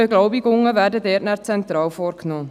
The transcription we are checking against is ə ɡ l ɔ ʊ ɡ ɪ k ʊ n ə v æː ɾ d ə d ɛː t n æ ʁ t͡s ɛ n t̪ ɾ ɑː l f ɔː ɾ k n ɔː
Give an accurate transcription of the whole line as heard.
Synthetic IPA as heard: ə ɡ l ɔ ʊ b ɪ ɡ ʊ ŋ ə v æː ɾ d ə d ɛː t n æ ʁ t͡s ɛ n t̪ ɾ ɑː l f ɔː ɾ k n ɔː